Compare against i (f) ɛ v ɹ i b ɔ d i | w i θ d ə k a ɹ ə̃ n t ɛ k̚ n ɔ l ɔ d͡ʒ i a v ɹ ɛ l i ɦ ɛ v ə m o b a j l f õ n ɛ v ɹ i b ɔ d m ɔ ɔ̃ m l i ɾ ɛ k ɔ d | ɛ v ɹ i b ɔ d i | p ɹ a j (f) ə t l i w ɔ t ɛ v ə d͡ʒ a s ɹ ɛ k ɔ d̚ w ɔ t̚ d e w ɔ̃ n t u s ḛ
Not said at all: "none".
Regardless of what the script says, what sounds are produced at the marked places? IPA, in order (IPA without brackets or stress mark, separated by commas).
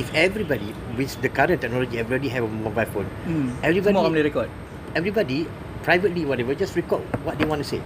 f, v